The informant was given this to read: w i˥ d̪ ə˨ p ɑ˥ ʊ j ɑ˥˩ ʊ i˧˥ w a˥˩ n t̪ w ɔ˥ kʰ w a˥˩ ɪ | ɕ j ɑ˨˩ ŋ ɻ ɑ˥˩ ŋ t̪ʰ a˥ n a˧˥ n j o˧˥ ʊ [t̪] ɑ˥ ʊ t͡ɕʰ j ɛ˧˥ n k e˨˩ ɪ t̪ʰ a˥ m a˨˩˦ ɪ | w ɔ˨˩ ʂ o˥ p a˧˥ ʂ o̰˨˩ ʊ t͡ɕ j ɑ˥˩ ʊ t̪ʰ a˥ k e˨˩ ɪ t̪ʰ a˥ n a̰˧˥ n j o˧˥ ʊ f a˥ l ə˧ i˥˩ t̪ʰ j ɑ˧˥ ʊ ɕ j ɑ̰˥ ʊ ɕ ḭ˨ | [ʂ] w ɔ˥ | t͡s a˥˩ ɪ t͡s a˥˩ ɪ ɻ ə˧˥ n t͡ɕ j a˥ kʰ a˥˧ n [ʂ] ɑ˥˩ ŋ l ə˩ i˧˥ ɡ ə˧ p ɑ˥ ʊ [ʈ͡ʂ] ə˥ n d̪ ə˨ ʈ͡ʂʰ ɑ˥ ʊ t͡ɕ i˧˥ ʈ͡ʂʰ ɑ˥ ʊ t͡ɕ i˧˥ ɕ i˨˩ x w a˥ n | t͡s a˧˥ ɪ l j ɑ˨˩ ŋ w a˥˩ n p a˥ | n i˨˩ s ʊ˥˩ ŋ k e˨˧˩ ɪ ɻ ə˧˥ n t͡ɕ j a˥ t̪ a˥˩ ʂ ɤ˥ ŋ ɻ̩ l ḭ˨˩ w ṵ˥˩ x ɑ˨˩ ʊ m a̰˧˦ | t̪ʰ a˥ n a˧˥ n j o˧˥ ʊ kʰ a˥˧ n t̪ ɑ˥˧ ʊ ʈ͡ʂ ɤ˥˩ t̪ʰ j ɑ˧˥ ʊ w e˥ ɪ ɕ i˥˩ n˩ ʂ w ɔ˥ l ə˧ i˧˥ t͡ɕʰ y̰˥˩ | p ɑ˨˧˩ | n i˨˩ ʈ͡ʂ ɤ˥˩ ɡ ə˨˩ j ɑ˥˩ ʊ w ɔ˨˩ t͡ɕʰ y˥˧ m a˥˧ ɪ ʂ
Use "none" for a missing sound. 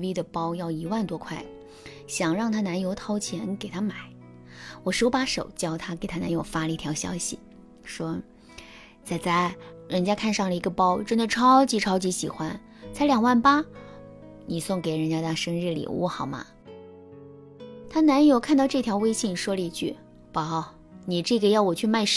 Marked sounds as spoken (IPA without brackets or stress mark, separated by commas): t̪ʰ, ʂ, ʂ, ʈ͡ʂ